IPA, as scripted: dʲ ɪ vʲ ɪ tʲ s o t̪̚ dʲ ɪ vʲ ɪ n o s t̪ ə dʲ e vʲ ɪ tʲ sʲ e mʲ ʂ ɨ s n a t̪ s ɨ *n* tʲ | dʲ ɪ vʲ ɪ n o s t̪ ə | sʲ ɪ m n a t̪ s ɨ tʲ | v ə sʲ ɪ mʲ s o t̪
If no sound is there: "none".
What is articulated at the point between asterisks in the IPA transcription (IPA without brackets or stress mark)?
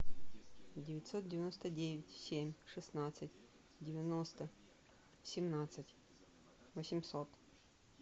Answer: none